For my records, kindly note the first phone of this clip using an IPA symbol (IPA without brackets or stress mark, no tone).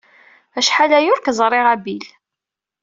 æ